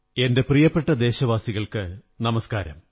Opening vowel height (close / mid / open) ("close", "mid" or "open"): mid